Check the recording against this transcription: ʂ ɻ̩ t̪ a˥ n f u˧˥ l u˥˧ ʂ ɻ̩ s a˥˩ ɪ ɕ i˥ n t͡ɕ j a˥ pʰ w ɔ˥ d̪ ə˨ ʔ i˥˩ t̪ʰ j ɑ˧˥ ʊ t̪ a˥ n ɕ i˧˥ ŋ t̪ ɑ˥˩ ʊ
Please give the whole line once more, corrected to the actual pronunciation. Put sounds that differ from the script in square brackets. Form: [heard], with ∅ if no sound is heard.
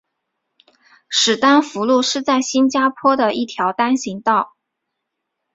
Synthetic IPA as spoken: ʂ ɻ̩ t̪ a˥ n f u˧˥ l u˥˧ ʂ ɻ̩ [t͡s] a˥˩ ɪ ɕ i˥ n t͡ɕ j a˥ pʰ w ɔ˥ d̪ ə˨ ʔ i˥˩ t̪ʰ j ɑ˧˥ ʊ t̪ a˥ n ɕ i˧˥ ŋ t̪ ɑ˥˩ ʊ